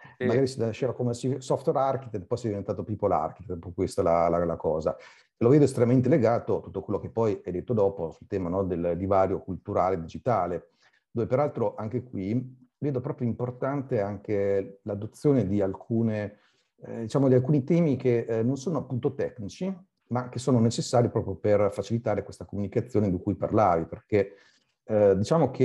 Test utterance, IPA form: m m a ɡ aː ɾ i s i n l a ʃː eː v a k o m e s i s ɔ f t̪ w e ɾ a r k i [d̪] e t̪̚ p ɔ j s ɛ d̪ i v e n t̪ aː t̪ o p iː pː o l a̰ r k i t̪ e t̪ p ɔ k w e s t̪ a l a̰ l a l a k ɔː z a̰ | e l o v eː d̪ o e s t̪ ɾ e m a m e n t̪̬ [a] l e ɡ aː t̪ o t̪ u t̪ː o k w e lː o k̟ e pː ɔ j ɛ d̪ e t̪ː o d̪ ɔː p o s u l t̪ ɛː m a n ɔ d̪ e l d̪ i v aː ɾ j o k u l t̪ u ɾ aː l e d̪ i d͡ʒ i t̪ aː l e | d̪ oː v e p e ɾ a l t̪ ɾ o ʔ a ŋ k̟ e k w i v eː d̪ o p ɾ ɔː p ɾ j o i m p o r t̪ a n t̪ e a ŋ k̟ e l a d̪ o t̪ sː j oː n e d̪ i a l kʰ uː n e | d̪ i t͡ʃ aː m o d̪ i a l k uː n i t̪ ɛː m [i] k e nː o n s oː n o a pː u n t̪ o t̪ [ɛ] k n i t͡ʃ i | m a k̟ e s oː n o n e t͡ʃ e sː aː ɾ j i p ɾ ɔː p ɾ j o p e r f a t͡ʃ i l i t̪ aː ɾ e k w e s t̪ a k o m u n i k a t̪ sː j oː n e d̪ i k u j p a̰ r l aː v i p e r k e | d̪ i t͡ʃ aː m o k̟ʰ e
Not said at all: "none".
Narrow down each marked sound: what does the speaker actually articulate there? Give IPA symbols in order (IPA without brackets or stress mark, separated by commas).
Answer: t̪, e, i, ɛ